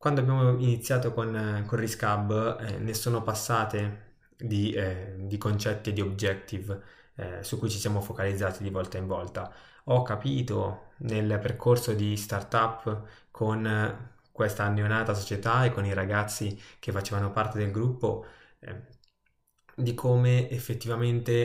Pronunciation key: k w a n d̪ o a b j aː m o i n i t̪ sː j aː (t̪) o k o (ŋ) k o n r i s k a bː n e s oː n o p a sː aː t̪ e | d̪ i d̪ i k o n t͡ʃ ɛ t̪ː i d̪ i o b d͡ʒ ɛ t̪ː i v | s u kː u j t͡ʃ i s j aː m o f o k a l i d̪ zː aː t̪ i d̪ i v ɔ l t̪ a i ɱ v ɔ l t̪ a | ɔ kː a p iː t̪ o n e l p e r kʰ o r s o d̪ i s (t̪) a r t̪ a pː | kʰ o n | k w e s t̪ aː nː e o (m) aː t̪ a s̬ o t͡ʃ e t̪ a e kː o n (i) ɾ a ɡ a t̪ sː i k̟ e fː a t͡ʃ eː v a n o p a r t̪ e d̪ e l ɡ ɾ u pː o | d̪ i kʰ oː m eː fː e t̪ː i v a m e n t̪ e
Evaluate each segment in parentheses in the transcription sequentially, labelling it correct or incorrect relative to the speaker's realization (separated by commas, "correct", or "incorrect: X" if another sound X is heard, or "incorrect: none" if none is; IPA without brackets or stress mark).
correct, incorrect: n, correct, incorrect: n, correct